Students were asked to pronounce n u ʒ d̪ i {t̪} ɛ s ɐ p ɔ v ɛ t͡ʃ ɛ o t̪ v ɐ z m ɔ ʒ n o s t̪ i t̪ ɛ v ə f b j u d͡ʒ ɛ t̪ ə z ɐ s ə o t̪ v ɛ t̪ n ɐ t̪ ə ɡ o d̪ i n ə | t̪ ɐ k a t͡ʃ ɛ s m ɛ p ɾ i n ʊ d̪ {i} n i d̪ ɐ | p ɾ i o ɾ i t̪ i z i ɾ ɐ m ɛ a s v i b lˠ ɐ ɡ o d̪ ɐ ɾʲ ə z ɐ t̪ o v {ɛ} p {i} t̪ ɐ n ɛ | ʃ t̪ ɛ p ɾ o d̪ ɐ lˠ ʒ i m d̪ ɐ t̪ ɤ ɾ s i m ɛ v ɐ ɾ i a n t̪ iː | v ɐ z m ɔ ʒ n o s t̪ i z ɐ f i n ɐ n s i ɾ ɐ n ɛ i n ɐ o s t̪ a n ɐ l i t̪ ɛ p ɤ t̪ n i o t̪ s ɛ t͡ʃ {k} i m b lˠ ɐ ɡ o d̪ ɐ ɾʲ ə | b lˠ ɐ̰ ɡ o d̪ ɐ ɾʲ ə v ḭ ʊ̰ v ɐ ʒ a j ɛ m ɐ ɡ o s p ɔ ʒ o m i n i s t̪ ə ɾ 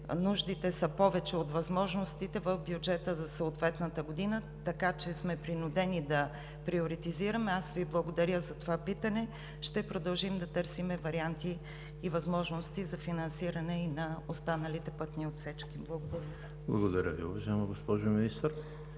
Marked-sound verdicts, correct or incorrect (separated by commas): correct, incorrect, incorrect, correct, correct